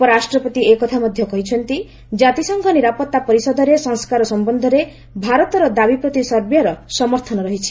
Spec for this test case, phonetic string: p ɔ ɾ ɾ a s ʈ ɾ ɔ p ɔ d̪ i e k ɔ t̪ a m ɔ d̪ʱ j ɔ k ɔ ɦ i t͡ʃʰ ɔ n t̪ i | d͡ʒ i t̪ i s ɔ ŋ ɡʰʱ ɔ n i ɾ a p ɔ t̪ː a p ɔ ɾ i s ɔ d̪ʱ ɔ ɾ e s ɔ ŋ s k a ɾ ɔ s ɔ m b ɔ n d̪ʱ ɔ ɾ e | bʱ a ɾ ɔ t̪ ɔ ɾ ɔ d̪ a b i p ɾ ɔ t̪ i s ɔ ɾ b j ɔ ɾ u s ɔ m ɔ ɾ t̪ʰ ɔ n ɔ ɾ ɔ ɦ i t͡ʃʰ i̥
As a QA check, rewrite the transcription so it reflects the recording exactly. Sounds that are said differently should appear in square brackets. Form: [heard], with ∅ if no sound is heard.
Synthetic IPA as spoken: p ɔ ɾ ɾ a s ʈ ɾ ɔ p ɔ [t̪] i e k ɔ [t̪ʰ] a m ɔ d̪ʱ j ɔ k ɔ ɦ i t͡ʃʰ ɔ n t̪ i | d͡ʒ [a] t̪ i s ɔ ŋ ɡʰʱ ɔ n i ɾ a p ɔ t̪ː a p ɔ ɾ i s ɔ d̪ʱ ɔ ɾ e s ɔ ŋ s k a ɾ ɔ s ɔ m b ɔ n d̪ʱ ɔ ɾ e | bʱ a ɾ ɔ t̪ ɔ ɾ ɔ d̪ a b i p ɾ ɔ t̪ i s ɔ ɾ b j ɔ ɾ [ɔ] s ɔ m ɔ ɾ t̪ʰ ɔ n ɔ ɾ ɔ ɦ i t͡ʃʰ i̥